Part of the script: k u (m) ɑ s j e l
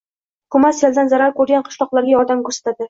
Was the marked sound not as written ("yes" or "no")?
no